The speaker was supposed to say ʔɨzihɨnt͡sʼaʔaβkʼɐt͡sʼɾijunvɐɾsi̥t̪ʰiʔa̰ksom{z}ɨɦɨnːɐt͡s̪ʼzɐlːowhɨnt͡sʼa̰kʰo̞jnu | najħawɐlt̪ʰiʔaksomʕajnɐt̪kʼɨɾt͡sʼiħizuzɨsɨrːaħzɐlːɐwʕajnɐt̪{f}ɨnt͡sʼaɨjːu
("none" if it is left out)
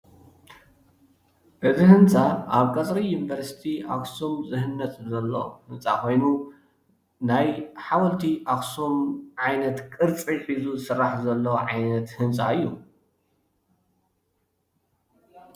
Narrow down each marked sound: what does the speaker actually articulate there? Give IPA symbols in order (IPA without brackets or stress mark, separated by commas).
z, h